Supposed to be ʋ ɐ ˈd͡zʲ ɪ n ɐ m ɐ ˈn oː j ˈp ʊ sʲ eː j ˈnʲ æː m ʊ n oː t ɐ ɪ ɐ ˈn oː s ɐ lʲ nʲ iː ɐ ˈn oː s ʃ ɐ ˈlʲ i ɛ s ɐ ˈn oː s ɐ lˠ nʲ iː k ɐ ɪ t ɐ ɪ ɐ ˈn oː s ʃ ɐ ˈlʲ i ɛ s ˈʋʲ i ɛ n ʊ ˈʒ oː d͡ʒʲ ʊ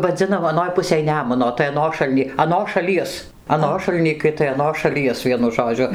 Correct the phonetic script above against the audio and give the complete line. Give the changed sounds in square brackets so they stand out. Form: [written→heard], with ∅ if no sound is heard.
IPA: ʋ ɐ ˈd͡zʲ ɪ n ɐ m ɐ ˈn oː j ˈp ʊ sʲ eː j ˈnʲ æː m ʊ n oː t ɐ ɪ ɐ ˈn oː [s→ʃ] ɐ lʲ nʲ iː ɐ ˈn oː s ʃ ɐ ˈlʲ i ɛ s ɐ ˈn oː [s→ʃ] ɐ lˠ nʲ iː k ɐ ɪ t ɐ ɪ ɐ ˈn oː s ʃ ɐ ˈlʲ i ɛ s ˈʋʲ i ɛ n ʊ ˈʒ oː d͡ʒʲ ʊ